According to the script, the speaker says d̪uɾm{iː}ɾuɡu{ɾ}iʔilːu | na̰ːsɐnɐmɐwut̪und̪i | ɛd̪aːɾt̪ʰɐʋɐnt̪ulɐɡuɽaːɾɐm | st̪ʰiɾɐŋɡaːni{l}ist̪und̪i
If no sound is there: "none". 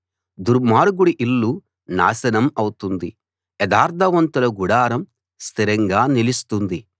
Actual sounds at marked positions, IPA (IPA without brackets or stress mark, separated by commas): aː, ɽ, l